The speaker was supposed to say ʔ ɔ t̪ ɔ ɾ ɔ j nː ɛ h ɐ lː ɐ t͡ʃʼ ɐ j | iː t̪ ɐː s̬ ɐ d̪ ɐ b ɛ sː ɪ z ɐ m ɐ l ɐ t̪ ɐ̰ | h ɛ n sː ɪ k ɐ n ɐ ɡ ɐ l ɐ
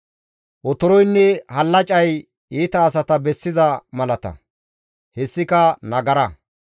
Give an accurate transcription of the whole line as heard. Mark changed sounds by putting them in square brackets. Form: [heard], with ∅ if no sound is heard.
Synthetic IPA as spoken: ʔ ɔ t̪ ɔ ɾ ɔ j nː ɛ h ɐ lː ɐ t͡ʃʼ ɐ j | iː t̪ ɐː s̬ ɐ [t̪] ɐ b ɛ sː ɪ z ɐ m ɐ l ɐ t̪ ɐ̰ | h ɛ [∅] sː ɪ k ɐ n ɐ ɡ ɐ [ɾ] ɐ

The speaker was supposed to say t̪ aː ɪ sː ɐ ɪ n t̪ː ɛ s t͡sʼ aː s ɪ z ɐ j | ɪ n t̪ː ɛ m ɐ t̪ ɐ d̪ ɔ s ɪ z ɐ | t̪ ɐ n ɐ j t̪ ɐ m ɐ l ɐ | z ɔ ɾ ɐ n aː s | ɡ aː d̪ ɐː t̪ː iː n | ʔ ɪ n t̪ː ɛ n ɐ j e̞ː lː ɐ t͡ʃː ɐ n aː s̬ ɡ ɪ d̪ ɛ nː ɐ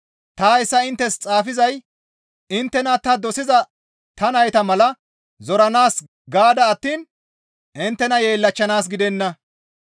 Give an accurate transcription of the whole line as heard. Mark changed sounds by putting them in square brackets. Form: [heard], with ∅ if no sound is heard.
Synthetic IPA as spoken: t̪ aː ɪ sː ɐ ɪ n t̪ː ɛ s t͡sʼ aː [f] ɪ z ɐ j | ɪ n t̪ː ɛ [n] ɐ t̪ ɐ d̪ ɔ s ɪ z ɐ | t̪ ɐ n ɐ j t̪ ɐ m ɐ l ɐ | z ɔ ɾ ɐ n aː s | ɡ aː d̪ ɐː t̪ː iː n | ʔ ɪ n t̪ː ɛ n ɐ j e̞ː lː ɐ t͡ʃː ɐ n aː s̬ ɡ ɪ d̪ ɛ nː ɐ

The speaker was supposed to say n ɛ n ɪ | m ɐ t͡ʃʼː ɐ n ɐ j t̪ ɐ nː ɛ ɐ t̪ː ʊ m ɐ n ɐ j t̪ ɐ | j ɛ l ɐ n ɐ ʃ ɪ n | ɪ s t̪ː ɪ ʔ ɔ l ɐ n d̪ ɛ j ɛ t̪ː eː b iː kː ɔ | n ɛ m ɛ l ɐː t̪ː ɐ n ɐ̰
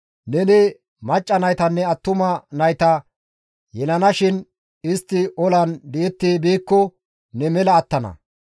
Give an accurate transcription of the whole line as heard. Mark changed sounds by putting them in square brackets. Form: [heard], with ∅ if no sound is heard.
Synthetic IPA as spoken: n ɛ n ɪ | m ɐ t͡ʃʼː ɐ n ɐ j t̪ ɐ nː ɛ ɐ t̪ː ʊ m ɐ n ɐ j t̪ ɐ | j ɛ l ɐ n ɐ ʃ ɪ n | ɪ s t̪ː ɪ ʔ ɔ l ɐ n d̪ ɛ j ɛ t̪ː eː b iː kː ɔ | n ɛ m ɛ l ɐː t̪ː ɐ n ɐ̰

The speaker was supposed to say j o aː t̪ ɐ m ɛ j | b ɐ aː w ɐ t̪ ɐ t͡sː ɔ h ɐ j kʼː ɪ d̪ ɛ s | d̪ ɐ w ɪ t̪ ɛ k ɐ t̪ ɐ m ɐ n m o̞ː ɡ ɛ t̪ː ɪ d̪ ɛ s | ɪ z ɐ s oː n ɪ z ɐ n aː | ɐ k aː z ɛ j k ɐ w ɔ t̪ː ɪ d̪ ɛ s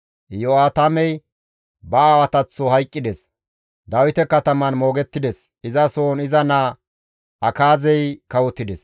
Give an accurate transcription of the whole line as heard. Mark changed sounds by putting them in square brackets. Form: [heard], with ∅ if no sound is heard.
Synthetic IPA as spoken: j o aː t̪ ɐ m ɛ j | b ɐ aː w ɐ t̪ ɐ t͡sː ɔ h ɐ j kʼː ɪ d̪ ɛ s | d̪ ɐ w ɪ t̪ ɛ k ɐ t̪ ɐ m ɐ n m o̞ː ɡ ɛ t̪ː ɪ d̪ ɛ s | ɪ z ɐ s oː n ɪ z ɐ n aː | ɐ k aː z ɛ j k ɐ w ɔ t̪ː ɪ d̪ ɛ s

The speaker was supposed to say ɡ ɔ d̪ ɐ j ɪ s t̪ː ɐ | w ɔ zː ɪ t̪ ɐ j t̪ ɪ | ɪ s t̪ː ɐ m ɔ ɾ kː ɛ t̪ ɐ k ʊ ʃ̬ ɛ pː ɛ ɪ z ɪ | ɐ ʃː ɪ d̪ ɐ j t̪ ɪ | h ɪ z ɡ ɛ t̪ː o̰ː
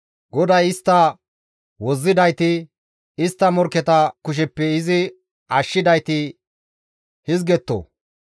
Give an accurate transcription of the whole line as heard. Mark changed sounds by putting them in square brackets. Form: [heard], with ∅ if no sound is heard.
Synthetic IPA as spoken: ɡ ɔ d̪ ɐ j ɪ s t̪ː ɐ | w ɔ zː ɪ [d̪] ɐ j t̪ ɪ | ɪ s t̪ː ɐ m ɔ ɾ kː ɛ t̪ ɐ k ʊ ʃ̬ ɛ pː ɛ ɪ z ɪ | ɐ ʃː ɪ d̪ ɐ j t̪ ɪ | h ɪ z ɡ ɛ t̪ː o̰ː

